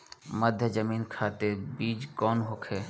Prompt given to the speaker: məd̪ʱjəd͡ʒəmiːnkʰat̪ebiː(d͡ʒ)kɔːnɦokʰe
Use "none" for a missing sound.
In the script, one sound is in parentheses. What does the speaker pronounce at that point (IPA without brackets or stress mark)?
d͡ʒ